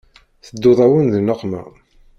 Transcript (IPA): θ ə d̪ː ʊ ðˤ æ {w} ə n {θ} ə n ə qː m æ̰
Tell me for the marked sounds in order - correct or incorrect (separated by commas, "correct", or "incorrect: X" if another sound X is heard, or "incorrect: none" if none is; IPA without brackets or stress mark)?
correct, incorrect: ð